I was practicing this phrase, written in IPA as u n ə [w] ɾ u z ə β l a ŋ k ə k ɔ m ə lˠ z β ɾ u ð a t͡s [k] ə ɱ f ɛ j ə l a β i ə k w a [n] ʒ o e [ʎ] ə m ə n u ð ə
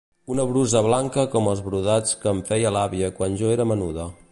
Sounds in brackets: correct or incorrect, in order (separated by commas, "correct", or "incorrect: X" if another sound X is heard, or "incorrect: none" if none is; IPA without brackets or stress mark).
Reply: incorrect: β, correct, correct, incorrect: ɾ